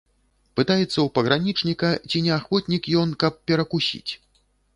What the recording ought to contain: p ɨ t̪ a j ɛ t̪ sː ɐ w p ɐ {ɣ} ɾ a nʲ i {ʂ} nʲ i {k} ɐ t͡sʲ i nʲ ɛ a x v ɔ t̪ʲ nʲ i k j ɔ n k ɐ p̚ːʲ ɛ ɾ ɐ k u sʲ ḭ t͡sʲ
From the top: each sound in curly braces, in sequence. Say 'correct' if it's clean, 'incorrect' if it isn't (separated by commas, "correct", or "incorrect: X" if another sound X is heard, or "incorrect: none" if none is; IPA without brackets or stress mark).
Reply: correct, incorrect: t͡ʂ, correct